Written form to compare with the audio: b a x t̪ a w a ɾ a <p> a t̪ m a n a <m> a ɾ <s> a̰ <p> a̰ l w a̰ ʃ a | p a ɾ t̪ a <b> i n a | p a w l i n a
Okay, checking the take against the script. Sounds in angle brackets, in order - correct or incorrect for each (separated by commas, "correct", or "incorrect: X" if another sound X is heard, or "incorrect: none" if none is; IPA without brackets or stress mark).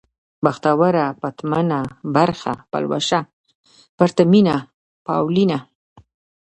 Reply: correct, incorrect: b, incorrect: x, correct, incorrect: m